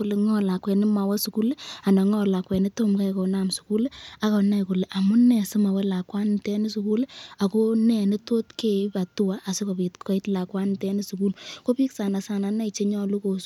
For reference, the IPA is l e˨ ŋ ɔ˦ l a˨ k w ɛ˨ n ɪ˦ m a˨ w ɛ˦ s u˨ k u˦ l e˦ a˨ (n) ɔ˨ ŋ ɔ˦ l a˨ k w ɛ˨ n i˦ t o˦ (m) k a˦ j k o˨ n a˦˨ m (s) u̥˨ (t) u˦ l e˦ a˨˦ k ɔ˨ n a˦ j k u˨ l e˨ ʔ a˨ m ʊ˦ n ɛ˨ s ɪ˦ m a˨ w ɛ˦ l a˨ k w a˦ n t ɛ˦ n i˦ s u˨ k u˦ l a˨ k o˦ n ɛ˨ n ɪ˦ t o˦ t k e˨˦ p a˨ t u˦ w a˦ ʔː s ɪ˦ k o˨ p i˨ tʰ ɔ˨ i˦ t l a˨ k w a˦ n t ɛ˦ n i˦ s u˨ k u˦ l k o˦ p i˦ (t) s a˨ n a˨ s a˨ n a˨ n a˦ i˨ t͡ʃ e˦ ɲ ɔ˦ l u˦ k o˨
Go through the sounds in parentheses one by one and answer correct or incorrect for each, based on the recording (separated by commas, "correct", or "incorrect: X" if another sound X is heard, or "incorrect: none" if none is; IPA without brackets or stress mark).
correct, correct, correct, incorrect: k, incorrect: k